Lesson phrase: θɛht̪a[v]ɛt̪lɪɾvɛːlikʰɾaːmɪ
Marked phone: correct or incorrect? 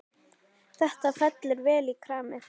incorrect